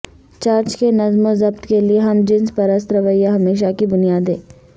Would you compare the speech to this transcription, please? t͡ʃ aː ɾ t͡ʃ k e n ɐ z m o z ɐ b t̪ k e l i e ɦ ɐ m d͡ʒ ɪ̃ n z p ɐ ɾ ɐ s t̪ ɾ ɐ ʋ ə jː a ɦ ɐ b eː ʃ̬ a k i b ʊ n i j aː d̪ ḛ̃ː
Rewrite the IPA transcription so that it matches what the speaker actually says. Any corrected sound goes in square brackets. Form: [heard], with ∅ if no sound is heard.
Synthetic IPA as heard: t͡ʃ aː ɾ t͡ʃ k e n ɐ z m o z ɐ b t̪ k e l i e ɦ ɐ m d͡ʒ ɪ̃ n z p ɐ ɾ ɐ s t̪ ɾ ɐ ʋ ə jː a ɦ ɐ [m] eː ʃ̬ a k i b ʊ n i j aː d̪ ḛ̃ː